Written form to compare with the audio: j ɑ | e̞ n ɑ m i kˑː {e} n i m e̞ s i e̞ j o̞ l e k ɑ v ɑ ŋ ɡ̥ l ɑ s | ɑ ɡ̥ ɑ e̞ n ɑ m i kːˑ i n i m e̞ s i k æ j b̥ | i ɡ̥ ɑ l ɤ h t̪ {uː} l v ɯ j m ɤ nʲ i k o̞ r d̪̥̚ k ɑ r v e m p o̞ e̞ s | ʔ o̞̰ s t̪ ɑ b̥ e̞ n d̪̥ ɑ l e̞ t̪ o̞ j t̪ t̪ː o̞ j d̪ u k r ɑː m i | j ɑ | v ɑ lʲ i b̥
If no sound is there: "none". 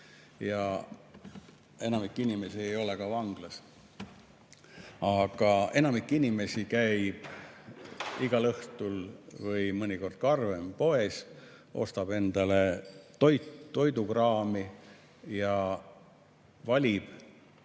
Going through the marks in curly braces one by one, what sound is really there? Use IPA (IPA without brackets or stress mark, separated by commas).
i, u